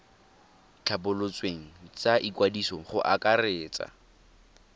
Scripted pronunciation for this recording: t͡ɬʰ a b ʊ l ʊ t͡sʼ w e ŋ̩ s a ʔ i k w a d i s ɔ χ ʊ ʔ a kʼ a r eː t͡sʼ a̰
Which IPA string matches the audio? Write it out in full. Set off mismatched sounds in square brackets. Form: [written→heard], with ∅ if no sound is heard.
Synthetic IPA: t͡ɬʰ a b ʊ l ʊ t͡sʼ w e ŋ̩ [s→t͡s] a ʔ i k w a d i s ɔ χ ʊ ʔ a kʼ a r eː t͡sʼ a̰